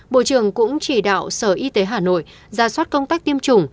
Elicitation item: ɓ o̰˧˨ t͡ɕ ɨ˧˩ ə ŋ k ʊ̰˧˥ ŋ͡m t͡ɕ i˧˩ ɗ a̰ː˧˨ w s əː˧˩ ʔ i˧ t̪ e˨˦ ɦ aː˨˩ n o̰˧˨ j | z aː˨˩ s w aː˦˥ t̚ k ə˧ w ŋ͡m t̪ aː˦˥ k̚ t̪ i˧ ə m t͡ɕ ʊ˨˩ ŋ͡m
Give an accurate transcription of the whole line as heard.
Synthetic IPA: ɓ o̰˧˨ t͡ɕ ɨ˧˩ ə ŋ k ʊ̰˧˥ ŋ͡m t͡ɕ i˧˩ ɗ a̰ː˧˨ w s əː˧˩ ʔ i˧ t̪ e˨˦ ɦ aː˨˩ n o̰˧˨ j | z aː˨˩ s w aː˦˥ t̚ k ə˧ w ŋ͡m t̪ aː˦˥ k̚ t̪ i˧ ə m t͡ɕ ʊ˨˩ ŋ͡m

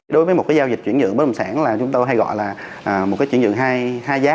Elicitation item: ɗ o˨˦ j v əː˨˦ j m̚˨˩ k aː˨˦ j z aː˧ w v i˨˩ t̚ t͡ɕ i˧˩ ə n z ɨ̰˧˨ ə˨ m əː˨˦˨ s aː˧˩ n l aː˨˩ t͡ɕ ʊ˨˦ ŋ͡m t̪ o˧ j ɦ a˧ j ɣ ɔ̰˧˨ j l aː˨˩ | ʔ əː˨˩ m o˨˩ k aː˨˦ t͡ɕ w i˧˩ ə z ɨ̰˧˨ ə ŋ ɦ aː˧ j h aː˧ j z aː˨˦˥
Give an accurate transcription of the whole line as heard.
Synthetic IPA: ɗ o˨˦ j v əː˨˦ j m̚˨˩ k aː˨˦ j z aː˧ w z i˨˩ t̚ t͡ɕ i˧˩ ə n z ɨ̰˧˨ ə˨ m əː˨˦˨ s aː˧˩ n l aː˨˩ t͡ɕ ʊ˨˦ ŋ͡m t̪ o˧ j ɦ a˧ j ɣ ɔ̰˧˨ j l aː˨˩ | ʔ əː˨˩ m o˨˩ k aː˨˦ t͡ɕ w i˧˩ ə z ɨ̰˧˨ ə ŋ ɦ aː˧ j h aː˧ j z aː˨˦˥

